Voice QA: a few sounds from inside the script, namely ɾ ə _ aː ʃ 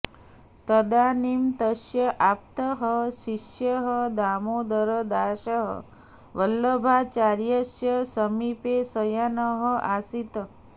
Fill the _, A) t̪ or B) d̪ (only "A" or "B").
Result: B